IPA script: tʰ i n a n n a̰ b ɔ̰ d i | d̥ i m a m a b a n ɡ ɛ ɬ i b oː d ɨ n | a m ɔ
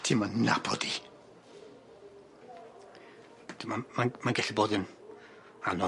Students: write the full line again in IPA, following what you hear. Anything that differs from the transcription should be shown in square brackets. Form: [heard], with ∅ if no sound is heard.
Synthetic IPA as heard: tʰ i [m] a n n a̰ b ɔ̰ d i | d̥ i m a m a [m] a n ɡ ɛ ɬ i b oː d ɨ n | a [n] ɔ